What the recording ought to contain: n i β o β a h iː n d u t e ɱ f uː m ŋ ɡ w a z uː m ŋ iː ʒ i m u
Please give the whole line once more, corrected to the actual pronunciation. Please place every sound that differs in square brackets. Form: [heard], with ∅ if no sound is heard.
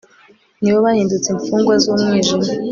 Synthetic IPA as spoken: n i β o β a h iː n d u [t͡s] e ɱ f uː [∅] ŋ ɡ w a z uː m ŋ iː ʒ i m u